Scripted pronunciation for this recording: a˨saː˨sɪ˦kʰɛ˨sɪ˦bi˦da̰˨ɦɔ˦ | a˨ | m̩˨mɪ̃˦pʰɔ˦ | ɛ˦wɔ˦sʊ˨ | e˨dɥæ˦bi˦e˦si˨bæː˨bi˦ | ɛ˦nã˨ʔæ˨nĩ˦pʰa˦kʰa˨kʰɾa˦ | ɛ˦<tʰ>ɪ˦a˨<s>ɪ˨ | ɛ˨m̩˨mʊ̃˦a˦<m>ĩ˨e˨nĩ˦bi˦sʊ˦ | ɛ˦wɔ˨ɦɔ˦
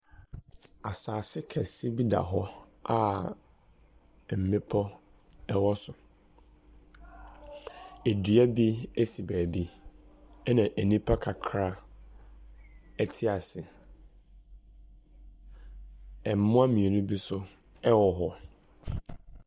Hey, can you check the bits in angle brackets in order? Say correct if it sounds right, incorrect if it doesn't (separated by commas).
correct, correct, correct